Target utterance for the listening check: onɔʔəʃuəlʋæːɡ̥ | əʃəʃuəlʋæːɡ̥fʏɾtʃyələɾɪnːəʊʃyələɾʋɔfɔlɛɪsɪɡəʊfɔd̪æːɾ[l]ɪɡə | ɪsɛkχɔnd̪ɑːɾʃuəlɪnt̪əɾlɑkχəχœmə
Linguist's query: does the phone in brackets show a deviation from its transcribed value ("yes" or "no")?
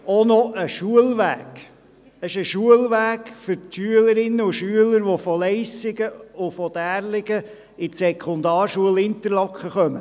no